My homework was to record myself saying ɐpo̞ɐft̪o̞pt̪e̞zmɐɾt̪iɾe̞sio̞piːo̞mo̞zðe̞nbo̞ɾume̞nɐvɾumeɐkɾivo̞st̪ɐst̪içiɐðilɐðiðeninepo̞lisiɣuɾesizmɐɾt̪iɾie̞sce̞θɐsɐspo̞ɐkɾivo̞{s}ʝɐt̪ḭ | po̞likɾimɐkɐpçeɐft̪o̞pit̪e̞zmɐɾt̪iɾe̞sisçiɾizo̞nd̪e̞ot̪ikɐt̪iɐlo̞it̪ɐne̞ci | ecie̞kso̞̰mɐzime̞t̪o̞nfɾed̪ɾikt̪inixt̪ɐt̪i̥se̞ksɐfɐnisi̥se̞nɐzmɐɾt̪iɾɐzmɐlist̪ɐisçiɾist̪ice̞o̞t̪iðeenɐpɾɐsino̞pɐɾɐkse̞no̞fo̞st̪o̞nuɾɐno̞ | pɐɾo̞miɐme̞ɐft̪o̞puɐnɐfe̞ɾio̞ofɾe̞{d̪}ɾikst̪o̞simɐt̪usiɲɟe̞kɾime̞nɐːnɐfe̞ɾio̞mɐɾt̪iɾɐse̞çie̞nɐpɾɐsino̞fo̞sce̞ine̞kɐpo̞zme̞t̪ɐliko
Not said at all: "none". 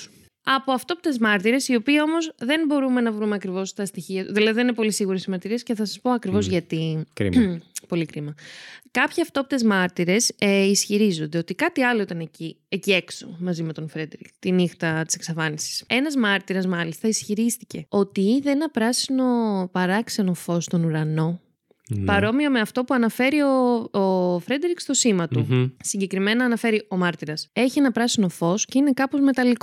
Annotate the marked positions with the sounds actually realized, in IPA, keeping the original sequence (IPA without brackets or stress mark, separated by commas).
z, d̪